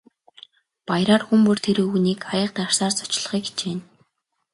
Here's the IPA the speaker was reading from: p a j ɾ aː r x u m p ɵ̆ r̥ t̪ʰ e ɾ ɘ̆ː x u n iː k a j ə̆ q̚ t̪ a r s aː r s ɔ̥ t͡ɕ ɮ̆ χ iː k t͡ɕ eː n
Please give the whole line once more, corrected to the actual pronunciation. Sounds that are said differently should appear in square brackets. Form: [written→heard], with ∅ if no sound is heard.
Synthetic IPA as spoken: p a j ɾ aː r x u m p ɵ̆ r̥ t̪ʰ e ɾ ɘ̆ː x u n iː k a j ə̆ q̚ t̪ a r s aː r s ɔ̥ t͡ɕ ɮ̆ χ iː k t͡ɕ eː n